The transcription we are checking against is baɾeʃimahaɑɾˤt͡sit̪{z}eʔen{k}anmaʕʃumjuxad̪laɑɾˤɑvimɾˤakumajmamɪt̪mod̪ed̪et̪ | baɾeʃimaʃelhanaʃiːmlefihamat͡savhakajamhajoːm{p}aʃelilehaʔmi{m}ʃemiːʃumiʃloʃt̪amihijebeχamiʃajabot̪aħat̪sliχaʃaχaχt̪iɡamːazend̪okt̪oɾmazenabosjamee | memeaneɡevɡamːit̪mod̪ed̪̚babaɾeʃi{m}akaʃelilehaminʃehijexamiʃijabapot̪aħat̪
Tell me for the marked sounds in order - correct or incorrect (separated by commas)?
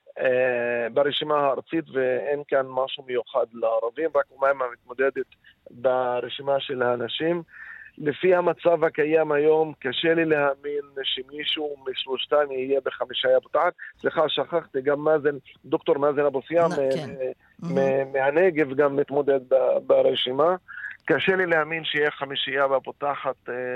incorrect, correct, incorrect, incorrect, correct